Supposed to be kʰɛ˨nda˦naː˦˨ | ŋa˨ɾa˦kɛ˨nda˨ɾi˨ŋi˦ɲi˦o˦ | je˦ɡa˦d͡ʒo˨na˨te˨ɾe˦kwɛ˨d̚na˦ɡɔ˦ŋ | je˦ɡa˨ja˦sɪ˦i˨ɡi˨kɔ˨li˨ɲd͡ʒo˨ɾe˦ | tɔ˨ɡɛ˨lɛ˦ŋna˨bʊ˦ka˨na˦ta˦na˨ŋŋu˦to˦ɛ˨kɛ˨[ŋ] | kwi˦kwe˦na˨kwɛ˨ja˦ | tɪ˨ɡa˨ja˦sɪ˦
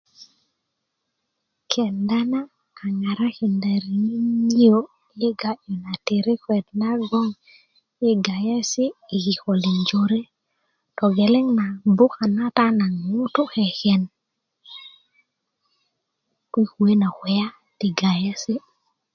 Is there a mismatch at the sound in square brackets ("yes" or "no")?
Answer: yes